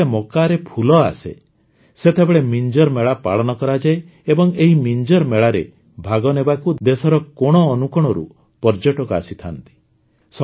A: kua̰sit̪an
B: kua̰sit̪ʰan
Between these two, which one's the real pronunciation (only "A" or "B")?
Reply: B